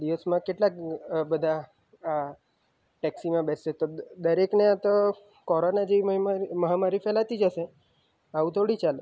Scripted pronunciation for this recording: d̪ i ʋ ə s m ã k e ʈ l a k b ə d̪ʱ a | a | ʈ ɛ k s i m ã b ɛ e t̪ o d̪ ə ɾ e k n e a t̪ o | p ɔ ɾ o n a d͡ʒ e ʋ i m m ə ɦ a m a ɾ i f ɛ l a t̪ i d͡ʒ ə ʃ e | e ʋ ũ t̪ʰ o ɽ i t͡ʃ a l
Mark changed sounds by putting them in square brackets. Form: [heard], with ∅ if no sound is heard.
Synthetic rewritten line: d̪ i ʋ ə s m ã k e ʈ l a k b ə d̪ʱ a | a | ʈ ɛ k s i m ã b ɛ e t̪ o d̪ ə ɾ e k n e a t̪ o | [k] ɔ ɾ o n a d͡ʒ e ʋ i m m ə ɦ a m a ɾ i f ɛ l a t̪ i d͡ʒ ə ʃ e | [a] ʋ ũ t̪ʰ o ɽ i t͡ʃ a l